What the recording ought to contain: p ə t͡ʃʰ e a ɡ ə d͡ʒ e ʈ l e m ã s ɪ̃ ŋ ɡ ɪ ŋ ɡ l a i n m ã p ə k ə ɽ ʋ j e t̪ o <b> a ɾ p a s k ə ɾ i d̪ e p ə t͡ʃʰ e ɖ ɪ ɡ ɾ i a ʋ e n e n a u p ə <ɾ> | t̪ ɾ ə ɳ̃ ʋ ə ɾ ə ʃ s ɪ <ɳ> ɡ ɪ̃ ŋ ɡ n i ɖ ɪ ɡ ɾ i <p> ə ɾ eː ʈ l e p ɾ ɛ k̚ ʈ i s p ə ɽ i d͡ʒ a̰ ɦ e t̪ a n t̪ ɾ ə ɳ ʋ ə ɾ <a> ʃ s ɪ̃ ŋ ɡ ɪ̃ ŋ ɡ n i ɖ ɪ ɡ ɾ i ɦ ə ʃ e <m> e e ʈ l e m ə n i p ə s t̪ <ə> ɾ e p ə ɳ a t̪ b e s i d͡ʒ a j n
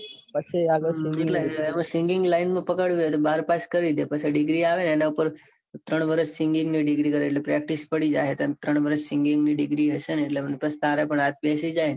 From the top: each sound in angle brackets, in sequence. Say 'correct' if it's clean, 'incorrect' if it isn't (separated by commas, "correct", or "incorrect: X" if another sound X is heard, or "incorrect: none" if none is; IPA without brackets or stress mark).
correct, correct, incorrect: ŋ, incorrect: k, incorrect: ə, incorrect: n, incorrect: a